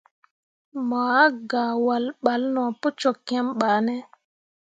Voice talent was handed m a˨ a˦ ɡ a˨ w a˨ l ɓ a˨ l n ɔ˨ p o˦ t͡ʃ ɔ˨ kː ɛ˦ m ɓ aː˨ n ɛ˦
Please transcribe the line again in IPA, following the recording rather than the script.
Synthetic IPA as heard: m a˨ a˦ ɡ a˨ w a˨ l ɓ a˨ l n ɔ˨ p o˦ t͡ʃ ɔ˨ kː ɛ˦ m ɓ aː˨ n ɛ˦